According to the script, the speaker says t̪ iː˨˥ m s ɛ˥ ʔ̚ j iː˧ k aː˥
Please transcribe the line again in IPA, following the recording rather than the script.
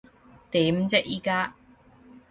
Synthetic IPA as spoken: t̪ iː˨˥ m t͡s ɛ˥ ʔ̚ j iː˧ k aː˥